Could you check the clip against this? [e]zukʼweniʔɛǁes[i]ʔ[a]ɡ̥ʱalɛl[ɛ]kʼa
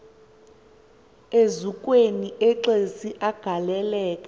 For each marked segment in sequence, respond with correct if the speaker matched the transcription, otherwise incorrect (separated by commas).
correct, correct, correct, incorrect